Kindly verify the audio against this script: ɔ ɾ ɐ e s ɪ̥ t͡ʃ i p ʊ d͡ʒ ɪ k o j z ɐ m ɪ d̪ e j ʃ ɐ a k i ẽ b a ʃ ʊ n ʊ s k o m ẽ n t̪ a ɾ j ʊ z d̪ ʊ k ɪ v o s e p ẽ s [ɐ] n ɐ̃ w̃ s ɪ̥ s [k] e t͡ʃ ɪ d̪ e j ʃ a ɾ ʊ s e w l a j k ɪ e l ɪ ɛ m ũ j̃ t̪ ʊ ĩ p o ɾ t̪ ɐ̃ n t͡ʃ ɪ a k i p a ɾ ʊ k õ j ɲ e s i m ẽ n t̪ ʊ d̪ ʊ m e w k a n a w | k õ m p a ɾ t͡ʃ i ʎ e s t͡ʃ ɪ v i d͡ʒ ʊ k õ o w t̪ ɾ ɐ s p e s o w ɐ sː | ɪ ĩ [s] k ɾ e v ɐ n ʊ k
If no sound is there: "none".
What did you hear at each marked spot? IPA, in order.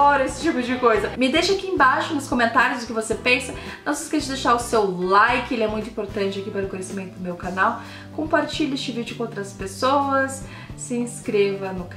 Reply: ɐ, k, s

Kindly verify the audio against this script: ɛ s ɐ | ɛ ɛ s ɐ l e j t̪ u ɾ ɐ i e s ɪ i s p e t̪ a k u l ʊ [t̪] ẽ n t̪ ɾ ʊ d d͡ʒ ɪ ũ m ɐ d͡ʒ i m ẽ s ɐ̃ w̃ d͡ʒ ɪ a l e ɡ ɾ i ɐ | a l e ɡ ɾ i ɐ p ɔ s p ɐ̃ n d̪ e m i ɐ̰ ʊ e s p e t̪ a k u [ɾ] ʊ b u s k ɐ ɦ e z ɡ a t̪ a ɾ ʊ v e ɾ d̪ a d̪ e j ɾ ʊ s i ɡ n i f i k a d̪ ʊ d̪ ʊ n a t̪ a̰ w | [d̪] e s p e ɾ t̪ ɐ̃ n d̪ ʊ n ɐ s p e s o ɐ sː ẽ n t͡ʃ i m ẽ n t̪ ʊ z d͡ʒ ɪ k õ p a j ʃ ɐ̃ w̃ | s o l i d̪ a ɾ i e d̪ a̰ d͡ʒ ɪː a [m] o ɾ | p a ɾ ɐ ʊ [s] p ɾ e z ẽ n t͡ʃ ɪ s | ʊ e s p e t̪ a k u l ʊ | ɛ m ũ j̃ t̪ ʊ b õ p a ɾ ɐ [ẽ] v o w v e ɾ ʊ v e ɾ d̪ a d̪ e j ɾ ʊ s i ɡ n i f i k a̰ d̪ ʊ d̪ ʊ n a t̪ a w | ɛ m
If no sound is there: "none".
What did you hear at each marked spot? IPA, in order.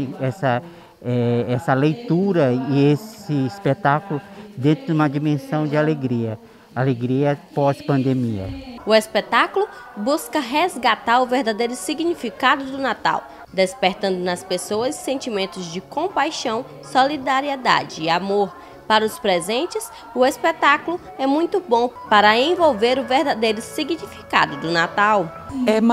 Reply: d̪, l, d̪, m, s, ẽ

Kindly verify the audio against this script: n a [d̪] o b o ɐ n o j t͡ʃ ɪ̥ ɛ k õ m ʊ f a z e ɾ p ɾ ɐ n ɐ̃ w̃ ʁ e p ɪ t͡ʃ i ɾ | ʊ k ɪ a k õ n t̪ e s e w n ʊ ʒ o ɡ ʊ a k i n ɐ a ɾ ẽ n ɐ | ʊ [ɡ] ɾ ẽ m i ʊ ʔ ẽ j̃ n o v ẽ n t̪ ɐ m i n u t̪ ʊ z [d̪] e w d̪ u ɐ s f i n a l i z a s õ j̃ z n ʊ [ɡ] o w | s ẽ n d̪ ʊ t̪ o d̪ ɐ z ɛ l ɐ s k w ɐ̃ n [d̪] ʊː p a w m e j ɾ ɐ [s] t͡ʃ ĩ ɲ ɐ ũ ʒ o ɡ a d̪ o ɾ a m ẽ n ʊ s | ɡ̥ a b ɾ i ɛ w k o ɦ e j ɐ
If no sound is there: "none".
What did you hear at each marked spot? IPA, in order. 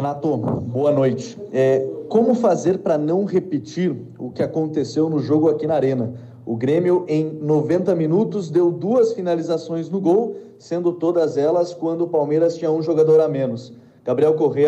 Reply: t̪, ɡ, d̪, ɡ, d̪, s

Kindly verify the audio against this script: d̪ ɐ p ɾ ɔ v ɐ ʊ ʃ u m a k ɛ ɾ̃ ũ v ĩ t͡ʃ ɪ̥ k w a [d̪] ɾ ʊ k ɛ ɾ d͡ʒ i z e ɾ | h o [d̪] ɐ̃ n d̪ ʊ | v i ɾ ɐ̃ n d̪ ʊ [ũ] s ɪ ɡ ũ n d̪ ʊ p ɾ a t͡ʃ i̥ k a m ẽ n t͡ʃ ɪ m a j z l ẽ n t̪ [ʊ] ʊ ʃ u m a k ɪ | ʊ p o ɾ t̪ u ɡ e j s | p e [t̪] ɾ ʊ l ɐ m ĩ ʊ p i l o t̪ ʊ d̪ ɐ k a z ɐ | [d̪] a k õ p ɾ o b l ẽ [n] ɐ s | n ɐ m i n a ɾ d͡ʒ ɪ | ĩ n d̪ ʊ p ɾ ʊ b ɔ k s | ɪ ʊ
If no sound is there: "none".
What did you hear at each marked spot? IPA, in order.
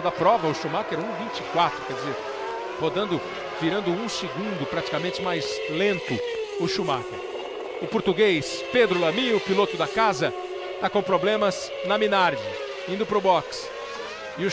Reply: t̪, d̪, ũ, ʊ, d̪, t̪, m

